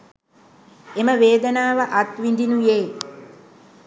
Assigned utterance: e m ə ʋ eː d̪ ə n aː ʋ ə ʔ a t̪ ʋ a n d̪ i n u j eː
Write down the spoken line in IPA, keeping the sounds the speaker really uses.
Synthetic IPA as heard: e m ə ʋ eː d̪ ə n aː ʋ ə ʔ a t̪ ʋ i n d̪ i n u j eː